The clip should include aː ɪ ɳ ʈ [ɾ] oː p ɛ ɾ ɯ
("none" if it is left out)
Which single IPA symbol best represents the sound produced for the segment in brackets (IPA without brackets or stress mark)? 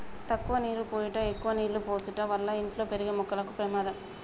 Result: l